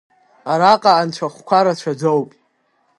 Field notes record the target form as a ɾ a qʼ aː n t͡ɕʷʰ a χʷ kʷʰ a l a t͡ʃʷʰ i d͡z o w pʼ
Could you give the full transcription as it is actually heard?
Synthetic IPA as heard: a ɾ a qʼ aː n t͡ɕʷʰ a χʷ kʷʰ a ɾ a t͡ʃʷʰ a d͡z o w pʼ